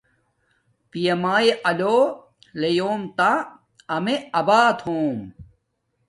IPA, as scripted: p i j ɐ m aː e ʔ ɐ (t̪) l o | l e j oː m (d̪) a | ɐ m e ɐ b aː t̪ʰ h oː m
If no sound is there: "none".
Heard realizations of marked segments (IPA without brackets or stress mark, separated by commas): none, t̪